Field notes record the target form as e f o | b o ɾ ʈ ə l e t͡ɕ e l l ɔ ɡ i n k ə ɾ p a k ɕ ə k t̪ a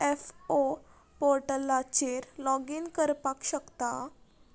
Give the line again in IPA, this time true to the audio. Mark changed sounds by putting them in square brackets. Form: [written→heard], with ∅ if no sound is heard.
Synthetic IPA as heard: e f o | [b→p] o ɾ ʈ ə l [e→a] t͡ɕ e [l→ɾ] l ɔ ɡ i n k ə ɾ p a k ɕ ə k t̪ a